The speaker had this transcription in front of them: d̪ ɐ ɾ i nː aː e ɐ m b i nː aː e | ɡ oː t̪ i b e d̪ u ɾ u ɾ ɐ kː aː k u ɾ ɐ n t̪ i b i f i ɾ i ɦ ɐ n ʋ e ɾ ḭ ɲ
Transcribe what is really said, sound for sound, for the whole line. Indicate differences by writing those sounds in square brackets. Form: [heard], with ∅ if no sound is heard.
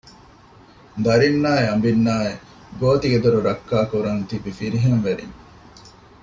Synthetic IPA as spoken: d̪ ɐ ɾ i nː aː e ɐ m b i nː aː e | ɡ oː t̪ i [ɡ] e d̪ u ɾ u ɾ ɐ kː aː k u ɾ ɐ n t̪ i b i f i ɾ i ɦ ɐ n ʋ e ɾ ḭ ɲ

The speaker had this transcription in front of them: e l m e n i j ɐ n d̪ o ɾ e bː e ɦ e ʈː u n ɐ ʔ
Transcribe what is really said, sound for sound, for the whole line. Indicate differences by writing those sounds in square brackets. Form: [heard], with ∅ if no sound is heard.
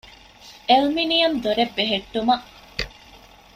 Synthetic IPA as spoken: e l m [i] n i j ɐ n d̪ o ɾ e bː e ɦ e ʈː u [m] ɐ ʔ

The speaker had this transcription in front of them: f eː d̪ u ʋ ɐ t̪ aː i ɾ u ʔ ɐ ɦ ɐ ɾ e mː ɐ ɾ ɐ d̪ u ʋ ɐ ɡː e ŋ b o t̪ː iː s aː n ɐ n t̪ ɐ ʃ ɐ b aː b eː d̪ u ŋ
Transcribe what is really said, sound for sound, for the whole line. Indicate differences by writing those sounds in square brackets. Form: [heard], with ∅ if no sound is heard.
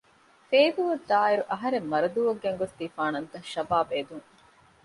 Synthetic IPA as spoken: f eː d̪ u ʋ ɐ [d̪] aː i ɾ u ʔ ɐ ɦ ɐ ɾ e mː ɐ ɾ ɐ d̪ u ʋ ɐ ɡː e ŋ [ɡ] o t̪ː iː [f] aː n ɐ n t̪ ɐ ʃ ɐ b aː b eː d̪ u ŋ

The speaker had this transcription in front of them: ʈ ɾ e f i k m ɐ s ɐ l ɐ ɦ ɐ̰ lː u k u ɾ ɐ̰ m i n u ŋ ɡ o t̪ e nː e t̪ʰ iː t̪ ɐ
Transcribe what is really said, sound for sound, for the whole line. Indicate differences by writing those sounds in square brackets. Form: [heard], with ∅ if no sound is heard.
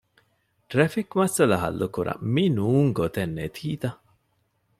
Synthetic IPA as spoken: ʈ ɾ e f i k m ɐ s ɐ l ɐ ɦ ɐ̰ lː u k u ɾ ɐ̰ m i n [uː] ŋ ɡ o t̪ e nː e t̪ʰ iː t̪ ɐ

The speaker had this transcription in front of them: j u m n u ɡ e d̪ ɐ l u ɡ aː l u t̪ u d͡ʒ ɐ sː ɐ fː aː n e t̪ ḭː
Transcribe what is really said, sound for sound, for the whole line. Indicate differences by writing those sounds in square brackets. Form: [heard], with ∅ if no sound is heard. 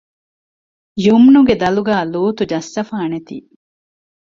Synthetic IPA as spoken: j u m n u ɡ e d̪ ɐ l u ɡ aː l [uː] t̪ u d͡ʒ ɐ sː ɐ [f] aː n e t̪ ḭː

